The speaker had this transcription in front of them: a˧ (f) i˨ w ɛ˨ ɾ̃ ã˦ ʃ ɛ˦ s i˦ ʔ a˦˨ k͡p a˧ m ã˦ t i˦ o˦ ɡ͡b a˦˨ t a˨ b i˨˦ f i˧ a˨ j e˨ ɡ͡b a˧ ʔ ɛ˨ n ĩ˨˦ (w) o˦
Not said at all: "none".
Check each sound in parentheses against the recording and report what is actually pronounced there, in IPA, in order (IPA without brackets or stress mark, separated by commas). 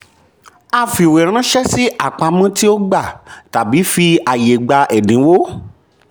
f, w